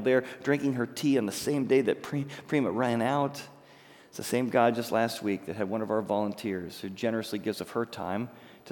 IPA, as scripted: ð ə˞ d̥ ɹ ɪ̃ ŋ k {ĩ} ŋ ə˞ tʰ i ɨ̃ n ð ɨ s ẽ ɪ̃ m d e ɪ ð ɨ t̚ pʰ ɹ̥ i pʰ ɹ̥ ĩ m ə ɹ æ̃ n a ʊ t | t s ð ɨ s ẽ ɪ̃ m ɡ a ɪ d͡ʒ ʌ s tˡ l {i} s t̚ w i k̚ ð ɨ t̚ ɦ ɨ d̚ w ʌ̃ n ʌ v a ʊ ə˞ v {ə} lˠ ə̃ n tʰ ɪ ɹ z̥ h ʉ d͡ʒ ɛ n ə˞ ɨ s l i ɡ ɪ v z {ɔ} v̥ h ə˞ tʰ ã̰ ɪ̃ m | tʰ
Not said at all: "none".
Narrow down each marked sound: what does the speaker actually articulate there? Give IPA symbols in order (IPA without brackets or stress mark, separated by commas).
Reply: ɪ̃, æ, ɑ, ʌ